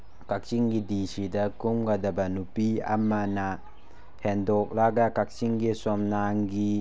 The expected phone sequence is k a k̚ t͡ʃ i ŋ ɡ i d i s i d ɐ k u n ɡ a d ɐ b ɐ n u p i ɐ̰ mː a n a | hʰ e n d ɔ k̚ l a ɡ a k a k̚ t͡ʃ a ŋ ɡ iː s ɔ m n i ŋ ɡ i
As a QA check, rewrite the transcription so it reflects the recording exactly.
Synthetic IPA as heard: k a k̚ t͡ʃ i ŋ ɡ i d i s i d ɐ k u m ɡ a d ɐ b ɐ n u p i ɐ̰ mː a n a | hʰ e n d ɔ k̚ l a ɡ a k a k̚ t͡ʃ i ŋ ɡ i s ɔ m n a ŋ ɡ i